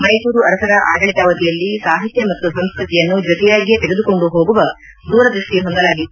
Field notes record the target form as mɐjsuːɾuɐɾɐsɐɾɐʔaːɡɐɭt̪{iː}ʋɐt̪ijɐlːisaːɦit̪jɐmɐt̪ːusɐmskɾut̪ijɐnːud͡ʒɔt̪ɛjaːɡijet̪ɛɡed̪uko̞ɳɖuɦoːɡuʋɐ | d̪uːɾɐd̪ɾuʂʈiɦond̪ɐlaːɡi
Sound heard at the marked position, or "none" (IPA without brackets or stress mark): aː